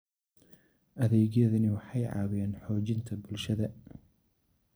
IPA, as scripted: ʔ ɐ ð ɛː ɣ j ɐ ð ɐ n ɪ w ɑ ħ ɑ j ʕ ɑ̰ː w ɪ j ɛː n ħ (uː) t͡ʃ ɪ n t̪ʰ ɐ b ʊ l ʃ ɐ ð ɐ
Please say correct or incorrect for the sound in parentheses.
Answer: incorrect